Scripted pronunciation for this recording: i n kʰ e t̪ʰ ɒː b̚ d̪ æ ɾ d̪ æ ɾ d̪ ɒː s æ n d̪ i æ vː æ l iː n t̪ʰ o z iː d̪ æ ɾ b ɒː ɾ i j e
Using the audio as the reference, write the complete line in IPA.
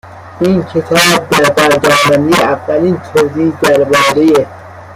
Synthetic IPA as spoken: i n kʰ e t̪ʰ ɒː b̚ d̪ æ ɾ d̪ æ ɾ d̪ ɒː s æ n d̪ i æ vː æ l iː n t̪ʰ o z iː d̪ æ ɾ b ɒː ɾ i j e